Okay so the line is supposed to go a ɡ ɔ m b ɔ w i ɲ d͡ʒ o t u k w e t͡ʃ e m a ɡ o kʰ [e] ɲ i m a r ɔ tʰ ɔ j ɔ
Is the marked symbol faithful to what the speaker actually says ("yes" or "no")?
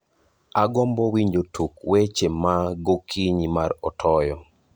no